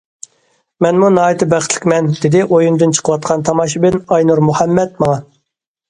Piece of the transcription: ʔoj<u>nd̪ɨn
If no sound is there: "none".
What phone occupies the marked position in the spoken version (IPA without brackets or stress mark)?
u